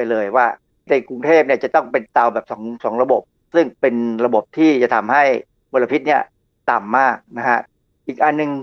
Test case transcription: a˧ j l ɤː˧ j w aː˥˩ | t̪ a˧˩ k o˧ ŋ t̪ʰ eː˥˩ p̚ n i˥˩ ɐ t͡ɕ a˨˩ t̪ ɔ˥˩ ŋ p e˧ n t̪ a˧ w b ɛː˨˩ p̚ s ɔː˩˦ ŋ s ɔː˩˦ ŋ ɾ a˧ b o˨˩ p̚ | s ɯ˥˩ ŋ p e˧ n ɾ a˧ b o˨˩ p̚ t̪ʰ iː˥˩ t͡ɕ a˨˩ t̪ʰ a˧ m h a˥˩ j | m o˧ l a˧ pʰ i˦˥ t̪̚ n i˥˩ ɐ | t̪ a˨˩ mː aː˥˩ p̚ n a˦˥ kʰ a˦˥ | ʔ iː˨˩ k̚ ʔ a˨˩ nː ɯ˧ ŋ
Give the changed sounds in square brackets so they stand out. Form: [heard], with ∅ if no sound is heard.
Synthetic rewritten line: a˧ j l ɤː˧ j w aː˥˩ | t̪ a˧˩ k [u˧] ŋ t̪ʰ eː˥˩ p̚ n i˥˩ ɐ t͡ɕ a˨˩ t̪ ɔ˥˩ ŋ p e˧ n t̪ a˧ w b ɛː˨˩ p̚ s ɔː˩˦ ŋ s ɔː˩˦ ŋ ɾ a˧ b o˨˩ p̚ | s ɯ˥˩ ŋ p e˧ n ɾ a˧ b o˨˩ p̚ t̪ʰ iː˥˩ t͡ɕ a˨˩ t̪ʰ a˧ m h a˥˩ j | m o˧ l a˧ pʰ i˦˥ t̪̚ n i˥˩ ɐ | t̪ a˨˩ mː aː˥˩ [k̚] n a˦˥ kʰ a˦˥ | ʔ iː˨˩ k̚ ʔ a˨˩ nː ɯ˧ ŋ